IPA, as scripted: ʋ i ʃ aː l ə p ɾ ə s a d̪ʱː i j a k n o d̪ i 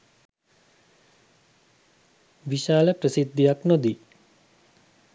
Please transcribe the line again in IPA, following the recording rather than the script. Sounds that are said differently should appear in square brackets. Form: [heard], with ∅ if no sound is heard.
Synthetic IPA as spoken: ʋ i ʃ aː l ə p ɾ ə s [i] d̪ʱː i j a k n o d̪ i

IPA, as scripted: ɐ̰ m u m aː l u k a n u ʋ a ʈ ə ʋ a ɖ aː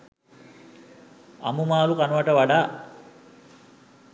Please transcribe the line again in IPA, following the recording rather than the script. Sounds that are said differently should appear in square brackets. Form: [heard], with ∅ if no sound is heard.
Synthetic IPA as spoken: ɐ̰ m u m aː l u k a n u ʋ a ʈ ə ʋ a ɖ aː

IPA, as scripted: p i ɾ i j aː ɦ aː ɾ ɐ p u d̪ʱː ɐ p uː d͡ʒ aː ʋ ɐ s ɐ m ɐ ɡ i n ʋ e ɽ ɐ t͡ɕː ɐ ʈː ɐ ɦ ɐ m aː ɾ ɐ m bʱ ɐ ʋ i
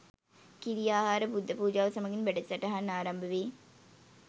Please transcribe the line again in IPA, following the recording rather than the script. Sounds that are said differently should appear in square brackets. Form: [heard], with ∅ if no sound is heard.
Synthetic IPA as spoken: [k] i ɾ i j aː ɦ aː ɾ ɐ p u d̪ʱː ɐ p uː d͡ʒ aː ʋ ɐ s ɐ m ɐ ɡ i n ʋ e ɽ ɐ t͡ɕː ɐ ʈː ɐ ɦ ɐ [n] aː ɾ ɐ m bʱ ɐ ʋ i

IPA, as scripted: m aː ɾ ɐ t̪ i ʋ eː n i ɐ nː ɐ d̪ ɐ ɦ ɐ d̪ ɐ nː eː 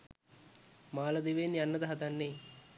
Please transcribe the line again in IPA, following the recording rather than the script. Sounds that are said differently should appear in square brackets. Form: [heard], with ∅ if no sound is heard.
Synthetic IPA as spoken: m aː [l] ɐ [d̪] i ʋ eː n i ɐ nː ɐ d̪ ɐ ɦ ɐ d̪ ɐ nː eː

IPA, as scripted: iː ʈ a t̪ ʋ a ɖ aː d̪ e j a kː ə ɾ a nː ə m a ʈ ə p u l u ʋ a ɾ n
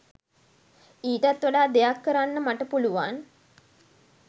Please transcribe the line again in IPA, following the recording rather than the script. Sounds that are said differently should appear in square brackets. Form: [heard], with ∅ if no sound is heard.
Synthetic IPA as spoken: iː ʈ a t̪ ʋ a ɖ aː d̪ e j a kː ə ɾ a nː ə m a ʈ ə p u l u ʋ a [∅] n

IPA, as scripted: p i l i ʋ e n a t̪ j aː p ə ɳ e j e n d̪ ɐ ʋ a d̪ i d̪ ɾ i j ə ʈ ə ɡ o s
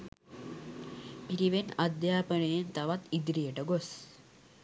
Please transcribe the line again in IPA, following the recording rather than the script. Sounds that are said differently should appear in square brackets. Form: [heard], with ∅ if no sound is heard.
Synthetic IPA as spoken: p i [ɾ] i ʋ e n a [d̪] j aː p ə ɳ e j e n [t̪] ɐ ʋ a [t̪] i d̪ ɾ i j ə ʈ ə ɡ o s

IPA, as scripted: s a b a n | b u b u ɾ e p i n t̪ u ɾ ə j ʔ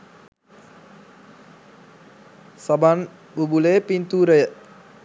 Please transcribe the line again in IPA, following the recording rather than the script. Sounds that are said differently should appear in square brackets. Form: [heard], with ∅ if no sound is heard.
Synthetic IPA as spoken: s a b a n | b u b u [l] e p i n t̪ u ɾ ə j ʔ

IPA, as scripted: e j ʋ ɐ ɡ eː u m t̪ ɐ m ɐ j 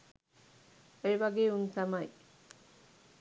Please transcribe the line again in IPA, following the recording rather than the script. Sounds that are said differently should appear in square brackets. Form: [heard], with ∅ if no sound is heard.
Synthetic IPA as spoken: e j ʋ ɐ ɡ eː u [n] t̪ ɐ m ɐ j

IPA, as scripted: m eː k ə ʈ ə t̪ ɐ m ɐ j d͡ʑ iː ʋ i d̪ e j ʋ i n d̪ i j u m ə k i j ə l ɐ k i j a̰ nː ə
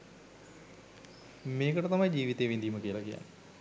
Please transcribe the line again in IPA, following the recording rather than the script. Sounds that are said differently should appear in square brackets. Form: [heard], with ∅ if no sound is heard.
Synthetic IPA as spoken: m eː k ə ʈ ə t̪ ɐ m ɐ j d͡ʑ iː ʋ i [t̪] e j ʋ i n d̪ i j u m ə k i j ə l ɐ k i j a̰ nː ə

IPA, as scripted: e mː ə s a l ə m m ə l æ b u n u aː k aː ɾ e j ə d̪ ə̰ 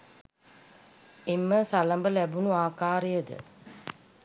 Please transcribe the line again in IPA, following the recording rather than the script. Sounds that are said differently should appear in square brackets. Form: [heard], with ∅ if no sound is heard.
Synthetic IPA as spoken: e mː ə s a l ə m [b] ə l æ b u n u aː k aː ɾ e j ə d̪ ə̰

